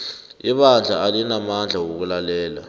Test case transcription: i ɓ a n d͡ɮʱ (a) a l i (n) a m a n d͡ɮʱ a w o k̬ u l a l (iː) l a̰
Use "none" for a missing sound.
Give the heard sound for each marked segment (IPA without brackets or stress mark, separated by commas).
a, n, ɛː